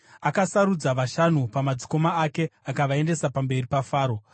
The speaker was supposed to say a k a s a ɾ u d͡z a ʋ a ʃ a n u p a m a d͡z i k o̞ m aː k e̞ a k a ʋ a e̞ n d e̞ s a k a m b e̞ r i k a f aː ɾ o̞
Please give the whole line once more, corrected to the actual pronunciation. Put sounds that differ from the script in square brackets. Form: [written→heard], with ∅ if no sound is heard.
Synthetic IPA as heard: a k a s a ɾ u d͡z a ʋ a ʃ a n u p a m a d͡z i k o̞ m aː k e̞ a k a ʋ a e̞ n d e̞ s a [k→p] a m b e̞ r i [k→p] a f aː ɾ o̞